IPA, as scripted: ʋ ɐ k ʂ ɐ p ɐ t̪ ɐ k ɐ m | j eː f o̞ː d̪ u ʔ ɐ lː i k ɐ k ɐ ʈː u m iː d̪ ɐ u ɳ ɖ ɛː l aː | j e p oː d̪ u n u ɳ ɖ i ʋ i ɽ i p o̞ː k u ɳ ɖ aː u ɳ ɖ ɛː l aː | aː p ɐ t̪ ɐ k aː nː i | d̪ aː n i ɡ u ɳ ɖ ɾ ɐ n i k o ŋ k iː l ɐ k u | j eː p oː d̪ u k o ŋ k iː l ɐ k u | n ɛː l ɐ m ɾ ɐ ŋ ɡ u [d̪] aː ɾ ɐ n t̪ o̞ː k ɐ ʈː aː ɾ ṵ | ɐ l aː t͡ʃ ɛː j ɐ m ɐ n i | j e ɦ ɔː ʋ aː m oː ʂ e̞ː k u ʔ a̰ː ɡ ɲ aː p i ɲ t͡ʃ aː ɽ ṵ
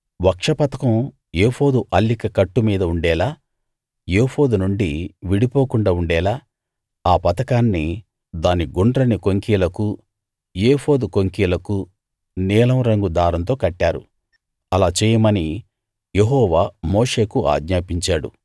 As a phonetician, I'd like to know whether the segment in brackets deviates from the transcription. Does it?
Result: no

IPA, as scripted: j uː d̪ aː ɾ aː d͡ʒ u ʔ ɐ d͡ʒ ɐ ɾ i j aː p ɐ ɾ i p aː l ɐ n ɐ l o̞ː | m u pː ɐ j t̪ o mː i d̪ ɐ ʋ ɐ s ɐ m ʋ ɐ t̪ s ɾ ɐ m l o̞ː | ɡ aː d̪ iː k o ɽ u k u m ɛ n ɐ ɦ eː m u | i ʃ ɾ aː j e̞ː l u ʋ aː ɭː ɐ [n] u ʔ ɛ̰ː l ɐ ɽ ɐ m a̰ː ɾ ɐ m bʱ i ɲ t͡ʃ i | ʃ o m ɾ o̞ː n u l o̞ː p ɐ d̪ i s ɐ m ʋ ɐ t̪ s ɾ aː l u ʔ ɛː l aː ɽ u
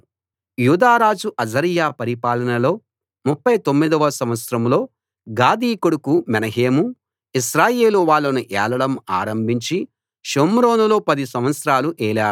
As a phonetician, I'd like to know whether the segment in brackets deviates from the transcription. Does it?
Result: no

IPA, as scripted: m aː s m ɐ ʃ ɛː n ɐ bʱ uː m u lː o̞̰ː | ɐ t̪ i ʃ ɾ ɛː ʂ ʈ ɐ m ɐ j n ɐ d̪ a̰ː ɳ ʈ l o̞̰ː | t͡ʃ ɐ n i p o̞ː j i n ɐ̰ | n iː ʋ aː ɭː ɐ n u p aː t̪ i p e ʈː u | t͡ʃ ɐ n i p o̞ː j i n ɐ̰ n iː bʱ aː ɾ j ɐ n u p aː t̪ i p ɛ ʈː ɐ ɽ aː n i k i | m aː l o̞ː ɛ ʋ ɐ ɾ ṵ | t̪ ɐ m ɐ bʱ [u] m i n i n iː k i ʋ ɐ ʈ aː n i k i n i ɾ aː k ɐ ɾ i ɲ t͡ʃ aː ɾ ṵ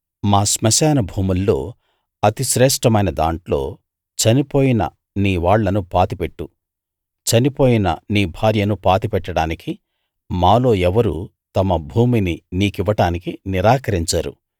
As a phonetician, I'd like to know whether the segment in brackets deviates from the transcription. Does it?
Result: yes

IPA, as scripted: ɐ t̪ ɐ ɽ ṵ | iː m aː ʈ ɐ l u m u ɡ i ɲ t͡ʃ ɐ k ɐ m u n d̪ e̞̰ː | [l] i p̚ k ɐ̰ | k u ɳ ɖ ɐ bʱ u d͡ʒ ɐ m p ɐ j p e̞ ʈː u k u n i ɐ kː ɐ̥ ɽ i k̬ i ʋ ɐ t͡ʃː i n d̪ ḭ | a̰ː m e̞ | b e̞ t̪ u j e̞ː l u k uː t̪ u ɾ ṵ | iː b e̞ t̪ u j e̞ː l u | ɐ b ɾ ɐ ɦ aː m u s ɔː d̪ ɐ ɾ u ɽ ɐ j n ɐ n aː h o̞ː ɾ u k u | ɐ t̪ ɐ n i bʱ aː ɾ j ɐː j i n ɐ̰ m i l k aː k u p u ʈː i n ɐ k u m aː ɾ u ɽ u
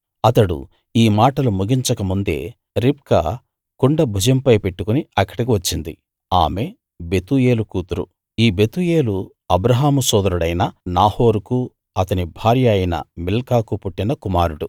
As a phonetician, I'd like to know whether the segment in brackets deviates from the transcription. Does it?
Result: yes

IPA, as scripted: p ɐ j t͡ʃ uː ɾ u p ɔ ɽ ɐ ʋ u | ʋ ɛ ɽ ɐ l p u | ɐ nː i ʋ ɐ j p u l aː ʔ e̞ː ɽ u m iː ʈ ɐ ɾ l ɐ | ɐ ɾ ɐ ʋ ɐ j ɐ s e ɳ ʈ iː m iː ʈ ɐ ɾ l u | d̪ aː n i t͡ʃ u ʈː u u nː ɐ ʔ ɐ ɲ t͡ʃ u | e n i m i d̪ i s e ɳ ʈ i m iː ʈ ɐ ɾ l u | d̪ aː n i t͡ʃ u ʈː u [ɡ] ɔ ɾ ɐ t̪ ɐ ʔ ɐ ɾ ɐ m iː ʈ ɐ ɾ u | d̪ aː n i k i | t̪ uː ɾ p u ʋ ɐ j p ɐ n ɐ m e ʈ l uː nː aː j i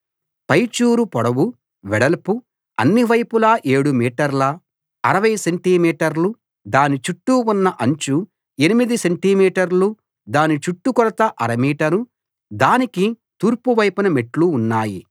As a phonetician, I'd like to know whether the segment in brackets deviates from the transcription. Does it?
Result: yes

